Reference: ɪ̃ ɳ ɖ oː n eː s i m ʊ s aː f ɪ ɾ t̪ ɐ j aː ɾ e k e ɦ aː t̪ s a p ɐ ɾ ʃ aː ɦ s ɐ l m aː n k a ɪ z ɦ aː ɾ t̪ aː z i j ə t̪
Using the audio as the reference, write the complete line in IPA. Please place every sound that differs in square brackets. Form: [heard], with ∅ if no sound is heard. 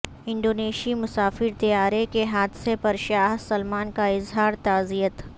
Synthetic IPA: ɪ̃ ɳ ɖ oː n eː [ʃ] i m ʊ s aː f ɪ ɾ t̪ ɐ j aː ɾ e k e ɦ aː [d̪] s [e] p ɐ ɾ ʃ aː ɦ s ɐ l m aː n k a ɪ z ɦ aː ɾ t̪ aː z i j ə t̪